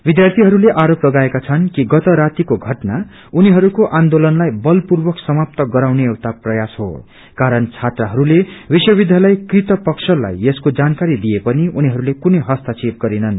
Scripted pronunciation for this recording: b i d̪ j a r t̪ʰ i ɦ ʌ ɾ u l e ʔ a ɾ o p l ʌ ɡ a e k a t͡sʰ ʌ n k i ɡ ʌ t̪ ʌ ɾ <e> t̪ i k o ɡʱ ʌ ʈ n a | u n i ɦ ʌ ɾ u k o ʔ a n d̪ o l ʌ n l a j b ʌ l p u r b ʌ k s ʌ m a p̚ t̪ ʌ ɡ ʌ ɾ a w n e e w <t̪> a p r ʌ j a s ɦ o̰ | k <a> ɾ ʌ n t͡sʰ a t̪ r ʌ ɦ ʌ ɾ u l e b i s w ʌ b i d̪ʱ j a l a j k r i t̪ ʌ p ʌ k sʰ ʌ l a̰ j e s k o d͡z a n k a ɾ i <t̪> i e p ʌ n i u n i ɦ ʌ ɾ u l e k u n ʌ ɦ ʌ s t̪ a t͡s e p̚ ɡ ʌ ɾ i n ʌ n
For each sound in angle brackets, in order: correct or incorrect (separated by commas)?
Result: incorrect, correct, correct, incorrect